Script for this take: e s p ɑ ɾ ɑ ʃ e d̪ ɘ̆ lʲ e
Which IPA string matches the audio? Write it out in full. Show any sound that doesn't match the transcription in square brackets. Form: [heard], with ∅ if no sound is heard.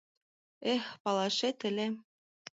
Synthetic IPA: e [x] p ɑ [l] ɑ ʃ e [t̪] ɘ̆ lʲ e